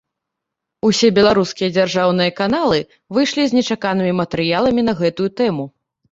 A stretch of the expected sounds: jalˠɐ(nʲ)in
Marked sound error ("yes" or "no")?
yes